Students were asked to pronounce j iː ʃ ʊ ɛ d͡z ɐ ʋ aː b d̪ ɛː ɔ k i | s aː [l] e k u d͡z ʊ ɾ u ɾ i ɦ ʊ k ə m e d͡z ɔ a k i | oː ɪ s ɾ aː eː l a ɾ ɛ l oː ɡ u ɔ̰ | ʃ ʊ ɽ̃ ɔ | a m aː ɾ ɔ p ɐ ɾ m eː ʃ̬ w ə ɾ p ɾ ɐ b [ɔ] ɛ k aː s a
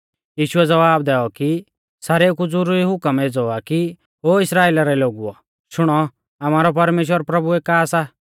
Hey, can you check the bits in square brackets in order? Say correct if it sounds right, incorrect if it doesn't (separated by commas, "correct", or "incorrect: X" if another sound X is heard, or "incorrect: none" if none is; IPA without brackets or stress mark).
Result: incorrect: ɾ, incorrect: u